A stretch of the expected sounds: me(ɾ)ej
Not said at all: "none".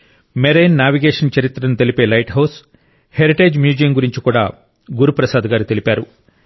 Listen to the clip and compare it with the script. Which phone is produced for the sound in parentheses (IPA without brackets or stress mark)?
ɾ